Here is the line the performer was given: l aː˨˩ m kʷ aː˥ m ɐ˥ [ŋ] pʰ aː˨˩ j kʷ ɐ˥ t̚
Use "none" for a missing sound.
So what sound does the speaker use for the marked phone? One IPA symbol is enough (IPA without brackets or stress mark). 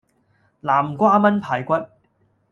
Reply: n